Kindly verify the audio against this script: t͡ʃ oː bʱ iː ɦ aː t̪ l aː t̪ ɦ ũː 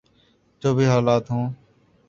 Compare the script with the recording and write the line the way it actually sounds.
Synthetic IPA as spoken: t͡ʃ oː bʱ iː ɦ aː l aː t̪ ɦ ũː